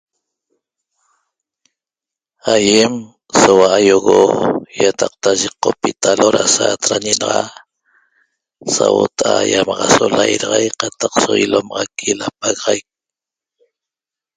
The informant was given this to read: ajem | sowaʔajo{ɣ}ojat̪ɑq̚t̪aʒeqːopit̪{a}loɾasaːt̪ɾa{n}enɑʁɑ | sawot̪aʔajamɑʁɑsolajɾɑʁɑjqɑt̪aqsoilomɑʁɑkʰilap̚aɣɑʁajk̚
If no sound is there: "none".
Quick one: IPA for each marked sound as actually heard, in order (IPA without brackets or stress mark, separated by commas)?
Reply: ɣ, a, ɲ